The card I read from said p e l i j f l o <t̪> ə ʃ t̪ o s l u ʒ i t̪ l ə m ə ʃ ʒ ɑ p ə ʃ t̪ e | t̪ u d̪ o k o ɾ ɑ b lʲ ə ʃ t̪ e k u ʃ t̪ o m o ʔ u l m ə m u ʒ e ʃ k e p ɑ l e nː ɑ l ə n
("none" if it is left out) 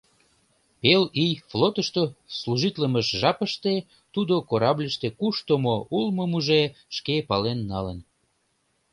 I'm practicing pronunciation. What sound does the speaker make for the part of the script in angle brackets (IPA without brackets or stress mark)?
t̪